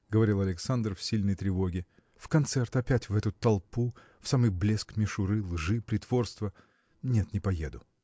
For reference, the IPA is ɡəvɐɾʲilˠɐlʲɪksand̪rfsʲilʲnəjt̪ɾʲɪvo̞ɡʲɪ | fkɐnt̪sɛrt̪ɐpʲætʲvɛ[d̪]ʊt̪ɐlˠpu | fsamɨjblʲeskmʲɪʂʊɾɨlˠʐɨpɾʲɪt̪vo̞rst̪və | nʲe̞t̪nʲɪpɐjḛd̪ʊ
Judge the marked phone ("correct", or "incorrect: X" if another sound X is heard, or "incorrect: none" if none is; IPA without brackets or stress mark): incorrect: t̪